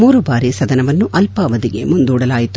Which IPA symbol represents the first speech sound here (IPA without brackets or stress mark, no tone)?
m